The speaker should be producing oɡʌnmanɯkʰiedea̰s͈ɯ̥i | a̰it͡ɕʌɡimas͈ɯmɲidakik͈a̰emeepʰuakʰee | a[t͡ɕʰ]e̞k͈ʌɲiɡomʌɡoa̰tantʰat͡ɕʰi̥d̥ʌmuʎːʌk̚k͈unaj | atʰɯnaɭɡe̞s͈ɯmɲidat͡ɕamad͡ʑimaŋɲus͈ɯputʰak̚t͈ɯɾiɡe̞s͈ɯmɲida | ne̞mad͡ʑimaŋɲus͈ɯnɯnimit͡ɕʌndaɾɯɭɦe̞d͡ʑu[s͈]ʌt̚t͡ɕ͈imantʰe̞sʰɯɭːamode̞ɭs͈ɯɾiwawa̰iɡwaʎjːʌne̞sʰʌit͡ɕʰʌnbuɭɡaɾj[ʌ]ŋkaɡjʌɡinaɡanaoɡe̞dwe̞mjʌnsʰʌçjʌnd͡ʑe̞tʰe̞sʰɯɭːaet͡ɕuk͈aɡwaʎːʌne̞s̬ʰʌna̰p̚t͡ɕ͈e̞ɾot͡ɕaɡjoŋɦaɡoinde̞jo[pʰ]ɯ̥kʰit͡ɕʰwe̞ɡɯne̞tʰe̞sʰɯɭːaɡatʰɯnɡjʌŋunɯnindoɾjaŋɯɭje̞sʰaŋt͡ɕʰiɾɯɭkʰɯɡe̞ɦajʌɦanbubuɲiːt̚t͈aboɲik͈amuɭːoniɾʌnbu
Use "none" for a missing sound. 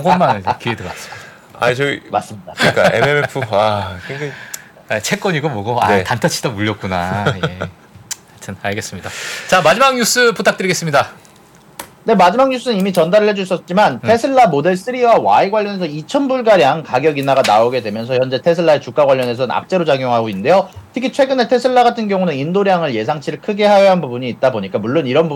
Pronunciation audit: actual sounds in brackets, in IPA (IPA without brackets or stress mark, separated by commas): t͡ɕʰ, s͈, a, tʰ